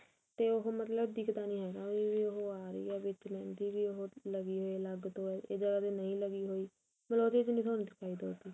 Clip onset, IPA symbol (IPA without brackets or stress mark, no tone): t̪